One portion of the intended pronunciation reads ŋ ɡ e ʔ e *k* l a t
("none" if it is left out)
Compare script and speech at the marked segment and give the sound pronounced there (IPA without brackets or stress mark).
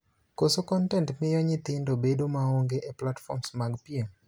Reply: p